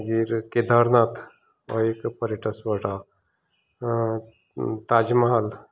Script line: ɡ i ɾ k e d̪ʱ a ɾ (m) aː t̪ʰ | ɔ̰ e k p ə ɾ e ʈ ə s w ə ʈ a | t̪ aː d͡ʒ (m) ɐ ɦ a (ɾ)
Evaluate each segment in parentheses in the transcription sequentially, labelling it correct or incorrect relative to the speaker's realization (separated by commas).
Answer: incorrect, correct, incorrect